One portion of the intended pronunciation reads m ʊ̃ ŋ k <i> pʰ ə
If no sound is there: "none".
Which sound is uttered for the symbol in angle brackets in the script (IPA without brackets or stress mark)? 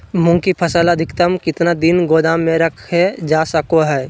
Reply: i